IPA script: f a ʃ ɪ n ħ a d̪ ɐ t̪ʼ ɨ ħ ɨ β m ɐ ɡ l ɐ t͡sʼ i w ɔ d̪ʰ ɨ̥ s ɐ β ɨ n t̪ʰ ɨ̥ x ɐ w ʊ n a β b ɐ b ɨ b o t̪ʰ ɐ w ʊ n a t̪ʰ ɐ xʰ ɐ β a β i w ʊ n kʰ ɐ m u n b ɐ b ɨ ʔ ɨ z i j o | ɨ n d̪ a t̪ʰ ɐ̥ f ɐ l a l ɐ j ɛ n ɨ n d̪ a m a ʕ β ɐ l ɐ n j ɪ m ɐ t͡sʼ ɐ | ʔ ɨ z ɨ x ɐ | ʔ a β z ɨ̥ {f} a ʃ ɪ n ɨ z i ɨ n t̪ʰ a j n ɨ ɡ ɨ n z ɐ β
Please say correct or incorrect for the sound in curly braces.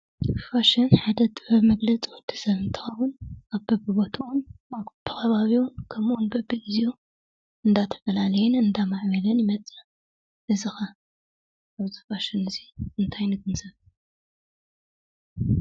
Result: correct